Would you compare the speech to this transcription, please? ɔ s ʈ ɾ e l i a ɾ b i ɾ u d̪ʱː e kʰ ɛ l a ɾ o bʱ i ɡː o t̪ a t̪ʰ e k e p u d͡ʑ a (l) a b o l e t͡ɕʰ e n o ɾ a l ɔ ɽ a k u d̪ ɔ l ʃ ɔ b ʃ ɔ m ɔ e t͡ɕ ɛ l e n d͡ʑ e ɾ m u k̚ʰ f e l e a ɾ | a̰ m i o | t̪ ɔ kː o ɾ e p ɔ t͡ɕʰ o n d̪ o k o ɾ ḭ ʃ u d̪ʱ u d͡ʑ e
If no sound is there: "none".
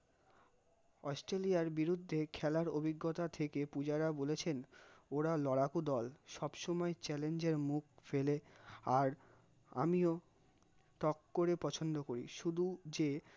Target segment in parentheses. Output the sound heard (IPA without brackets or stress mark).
ɾ